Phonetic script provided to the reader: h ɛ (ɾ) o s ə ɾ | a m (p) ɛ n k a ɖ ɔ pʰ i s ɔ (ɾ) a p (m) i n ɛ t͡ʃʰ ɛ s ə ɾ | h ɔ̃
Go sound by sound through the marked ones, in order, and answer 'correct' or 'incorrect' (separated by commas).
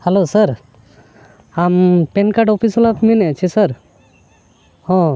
incorrect, correct, incorrect, correct